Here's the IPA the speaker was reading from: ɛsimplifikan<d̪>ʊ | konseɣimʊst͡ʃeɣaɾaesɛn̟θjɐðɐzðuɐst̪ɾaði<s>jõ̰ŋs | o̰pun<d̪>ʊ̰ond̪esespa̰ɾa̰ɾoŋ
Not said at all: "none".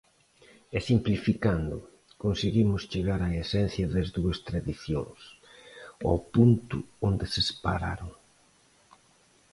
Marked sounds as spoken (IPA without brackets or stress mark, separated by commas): d̪, θ, t̪